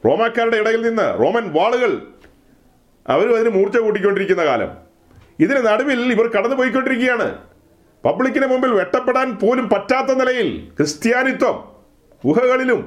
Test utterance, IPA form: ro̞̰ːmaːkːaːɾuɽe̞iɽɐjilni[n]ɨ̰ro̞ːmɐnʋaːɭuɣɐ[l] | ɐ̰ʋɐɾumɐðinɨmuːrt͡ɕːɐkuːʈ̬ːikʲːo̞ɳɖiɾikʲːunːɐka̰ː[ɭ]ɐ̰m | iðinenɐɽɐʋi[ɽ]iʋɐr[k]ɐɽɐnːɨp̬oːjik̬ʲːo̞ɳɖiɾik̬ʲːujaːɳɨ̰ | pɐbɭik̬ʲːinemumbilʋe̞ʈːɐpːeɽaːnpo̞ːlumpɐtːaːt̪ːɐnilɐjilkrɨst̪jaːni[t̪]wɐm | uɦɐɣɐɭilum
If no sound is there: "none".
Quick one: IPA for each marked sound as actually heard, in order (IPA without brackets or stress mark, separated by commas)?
nː, ɭ, l, l, k, t̪